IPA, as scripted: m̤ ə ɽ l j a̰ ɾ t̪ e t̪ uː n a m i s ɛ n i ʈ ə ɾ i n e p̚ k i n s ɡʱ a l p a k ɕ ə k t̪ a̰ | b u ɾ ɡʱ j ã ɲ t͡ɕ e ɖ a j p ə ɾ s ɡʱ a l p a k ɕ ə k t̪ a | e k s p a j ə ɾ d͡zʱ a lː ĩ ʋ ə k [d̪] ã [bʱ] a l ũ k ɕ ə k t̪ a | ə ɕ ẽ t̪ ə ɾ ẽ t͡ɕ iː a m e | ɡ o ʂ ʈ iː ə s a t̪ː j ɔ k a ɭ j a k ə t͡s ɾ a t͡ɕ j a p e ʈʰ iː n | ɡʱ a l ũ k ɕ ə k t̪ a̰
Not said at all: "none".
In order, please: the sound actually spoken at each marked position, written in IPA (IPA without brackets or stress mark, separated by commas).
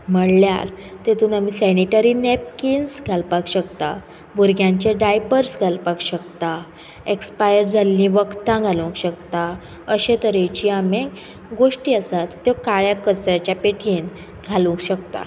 t̪, ɡʱ